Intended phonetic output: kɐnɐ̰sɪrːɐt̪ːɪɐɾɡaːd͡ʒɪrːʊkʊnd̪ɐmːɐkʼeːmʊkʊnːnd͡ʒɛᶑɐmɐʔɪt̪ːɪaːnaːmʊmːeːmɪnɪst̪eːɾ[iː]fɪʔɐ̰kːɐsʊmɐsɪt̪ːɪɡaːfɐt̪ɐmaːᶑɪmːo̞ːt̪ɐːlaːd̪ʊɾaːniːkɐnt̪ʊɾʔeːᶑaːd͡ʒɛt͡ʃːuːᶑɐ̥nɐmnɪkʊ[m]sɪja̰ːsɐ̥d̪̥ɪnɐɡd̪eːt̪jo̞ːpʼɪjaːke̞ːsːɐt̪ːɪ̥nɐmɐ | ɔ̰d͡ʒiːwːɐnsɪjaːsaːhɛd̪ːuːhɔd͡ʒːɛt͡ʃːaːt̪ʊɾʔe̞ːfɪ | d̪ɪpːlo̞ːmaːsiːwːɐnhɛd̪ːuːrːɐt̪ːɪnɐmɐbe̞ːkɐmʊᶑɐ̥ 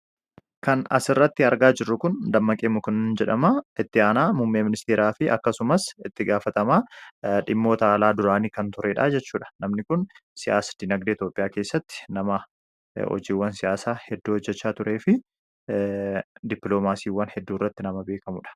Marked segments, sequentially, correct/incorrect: incorrect, incorrect

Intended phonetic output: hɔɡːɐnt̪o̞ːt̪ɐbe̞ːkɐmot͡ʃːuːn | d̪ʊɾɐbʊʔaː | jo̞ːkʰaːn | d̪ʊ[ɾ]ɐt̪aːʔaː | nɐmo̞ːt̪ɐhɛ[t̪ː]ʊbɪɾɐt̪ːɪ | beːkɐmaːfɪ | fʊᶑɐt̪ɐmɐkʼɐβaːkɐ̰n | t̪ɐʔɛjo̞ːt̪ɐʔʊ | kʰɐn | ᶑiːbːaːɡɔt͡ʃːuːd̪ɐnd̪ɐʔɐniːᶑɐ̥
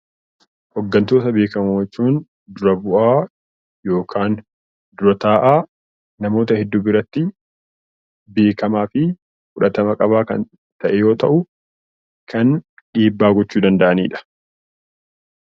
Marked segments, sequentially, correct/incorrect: correct, incorrect

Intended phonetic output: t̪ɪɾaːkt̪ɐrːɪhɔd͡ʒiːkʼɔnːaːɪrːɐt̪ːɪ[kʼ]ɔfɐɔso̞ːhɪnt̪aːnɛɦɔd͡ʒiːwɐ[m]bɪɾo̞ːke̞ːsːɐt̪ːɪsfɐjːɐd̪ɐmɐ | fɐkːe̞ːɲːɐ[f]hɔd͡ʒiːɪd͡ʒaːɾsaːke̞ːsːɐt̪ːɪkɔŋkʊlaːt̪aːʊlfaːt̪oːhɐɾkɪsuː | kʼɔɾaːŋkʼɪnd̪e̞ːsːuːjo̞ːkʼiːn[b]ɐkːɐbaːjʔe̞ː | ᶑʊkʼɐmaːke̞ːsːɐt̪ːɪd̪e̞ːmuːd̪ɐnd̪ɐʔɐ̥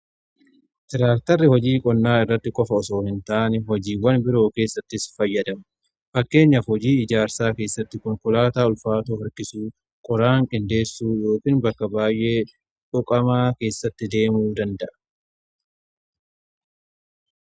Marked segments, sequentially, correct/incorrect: correct, incorrect, correct, correct

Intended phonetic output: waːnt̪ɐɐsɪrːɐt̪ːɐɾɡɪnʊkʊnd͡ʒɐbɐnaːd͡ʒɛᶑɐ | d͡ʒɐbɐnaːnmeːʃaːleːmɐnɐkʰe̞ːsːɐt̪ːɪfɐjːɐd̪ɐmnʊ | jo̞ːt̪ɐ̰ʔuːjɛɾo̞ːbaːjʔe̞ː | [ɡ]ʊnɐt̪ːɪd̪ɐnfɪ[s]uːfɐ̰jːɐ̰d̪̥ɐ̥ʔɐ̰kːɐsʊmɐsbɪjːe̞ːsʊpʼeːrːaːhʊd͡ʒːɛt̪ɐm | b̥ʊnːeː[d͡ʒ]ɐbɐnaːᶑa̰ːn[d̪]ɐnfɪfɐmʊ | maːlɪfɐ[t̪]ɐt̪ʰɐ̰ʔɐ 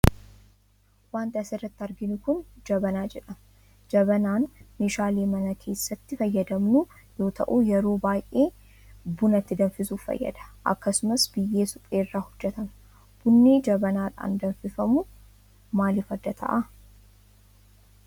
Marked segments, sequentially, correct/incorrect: incorrect, correct, correct, correct, incorrect

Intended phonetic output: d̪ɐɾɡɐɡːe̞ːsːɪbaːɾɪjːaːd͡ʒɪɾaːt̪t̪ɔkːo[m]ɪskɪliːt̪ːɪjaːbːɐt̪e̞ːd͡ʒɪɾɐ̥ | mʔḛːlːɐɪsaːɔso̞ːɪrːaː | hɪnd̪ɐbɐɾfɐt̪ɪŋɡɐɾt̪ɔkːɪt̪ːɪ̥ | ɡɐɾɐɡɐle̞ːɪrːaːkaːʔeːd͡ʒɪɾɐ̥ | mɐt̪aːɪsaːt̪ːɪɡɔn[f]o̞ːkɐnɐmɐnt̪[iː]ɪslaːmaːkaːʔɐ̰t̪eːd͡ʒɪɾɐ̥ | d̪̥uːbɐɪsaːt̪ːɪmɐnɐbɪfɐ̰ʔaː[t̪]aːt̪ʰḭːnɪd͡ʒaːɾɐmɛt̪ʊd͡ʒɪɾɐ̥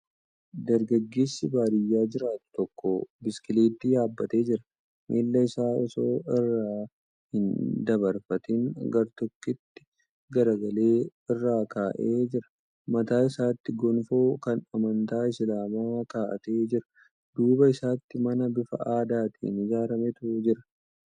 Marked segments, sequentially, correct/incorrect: incorrect, correct, incorrect, incorrect

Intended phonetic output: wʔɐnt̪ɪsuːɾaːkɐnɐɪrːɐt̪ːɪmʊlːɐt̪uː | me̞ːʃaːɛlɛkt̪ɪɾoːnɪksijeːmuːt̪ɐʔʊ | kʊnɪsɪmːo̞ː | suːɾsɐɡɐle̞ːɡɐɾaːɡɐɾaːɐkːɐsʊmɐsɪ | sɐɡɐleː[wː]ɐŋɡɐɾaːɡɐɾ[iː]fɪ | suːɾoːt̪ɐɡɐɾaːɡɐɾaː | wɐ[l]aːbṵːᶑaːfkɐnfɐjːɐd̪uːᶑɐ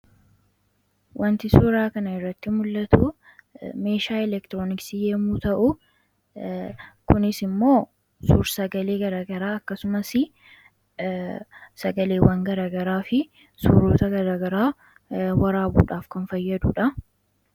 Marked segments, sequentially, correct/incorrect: incorrect, incorrect, incorrect

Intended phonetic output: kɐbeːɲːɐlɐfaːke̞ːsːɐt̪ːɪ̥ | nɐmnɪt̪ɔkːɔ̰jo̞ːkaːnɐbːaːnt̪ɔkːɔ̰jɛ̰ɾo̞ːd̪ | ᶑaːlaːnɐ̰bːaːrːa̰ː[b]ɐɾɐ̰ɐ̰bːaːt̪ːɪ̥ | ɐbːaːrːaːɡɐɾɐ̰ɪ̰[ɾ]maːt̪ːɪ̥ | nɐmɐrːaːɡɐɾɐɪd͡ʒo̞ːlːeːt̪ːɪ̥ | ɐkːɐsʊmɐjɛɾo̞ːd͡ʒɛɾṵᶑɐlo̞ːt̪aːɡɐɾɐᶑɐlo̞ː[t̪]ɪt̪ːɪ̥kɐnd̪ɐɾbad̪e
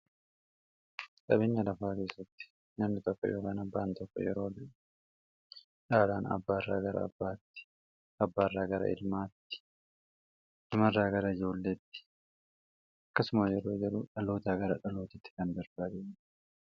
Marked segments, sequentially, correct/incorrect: incorrect, incorrect, correct

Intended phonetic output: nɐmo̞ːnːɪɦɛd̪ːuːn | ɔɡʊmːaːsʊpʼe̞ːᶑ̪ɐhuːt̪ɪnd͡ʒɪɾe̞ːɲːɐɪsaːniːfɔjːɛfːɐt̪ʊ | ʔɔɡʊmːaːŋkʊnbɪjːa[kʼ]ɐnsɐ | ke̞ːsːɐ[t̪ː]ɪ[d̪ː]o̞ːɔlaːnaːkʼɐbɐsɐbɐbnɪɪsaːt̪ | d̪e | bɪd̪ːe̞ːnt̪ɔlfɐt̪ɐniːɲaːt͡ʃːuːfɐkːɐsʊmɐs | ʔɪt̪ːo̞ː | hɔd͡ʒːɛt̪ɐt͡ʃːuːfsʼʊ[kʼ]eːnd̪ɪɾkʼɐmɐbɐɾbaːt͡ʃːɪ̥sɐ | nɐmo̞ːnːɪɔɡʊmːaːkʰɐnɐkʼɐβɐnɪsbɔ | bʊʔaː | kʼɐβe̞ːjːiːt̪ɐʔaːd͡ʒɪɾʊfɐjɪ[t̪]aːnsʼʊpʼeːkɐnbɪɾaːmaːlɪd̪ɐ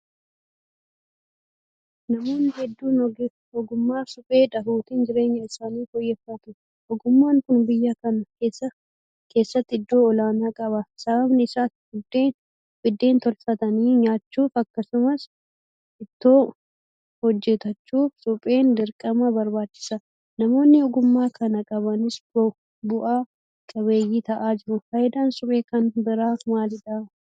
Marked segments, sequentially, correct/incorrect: incorrect, correct, correct, incorrect, incorrect

